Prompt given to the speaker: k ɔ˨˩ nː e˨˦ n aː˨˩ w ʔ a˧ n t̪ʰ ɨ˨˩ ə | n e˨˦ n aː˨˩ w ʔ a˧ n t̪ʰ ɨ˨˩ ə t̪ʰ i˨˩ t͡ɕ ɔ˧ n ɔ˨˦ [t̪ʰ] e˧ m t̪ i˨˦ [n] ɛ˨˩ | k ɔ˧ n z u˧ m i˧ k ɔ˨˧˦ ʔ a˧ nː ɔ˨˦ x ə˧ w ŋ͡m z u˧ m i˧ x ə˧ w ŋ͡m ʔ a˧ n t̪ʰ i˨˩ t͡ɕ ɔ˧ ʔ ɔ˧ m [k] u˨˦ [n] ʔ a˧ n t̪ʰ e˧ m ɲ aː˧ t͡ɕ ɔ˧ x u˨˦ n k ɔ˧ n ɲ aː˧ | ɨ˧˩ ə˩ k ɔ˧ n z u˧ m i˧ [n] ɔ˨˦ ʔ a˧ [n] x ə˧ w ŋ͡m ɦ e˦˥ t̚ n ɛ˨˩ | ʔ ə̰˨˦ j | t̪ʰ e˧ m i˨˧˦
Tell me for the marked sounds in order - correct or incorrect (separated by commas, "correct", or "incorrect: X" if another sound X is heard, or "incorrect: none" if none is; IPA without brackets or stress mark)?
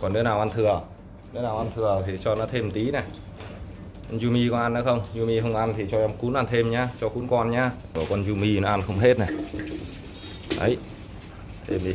correct, correct, correct, correct, correct, correct